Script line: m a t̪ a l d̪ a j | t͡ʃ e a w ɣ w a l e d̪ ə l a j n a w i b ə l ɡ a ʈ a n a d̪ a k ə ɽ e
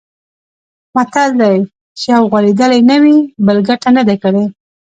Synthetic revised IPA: m a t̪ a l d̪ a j | t͡ʃ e a w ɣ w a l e d̪ ə l a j n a w i b ə l ɡ a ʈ a n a d̪ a k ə ɽ e